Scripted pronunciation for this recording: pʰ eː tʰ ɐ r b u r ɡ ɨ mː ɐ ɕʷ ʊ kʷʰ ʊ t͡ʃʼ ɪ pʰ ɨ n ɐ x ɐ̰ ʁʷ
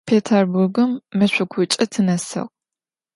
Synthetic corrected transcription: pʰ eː tʰ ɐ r b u r ɡ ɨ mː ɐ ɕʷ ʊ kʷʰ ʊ t͡ʃʼ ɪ tʰ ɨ n ɐ s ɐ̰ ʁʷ

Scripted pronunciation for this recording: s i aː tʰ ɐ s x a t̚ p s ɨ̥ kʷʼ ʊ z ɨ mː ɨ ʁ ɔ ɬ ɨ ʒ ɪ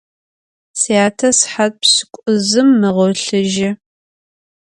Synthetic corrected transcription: s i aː tʰ ɐ s ħ a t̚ p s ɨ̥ kʷʼ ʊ z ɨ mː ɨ ʁ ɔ ɬ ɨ ʒ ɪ

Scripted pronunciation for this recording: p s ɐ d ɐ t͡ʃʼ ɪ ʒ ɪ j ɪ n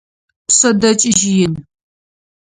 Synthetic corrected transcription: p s ɐ d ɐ t͡ʃʼ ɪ ʒ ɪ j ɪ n

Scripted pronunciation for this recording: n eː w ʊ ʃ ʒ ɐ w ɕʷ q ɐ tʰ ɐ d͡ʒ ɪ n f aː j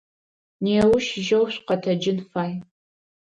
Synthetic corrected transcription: n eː w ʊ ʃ ʒ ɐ w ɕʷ q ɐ tʰ ɐ d͡ʒ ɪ n f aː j

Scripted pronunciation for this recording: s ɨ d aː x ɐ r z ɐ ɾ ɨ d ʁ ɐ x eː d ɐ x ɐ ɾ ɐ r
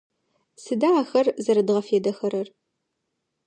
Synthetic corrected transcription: s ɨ d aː x ɐ r z ɐ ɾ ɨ d ʁ ɐ f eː d ɐ x ɐ ɾ ɐ r

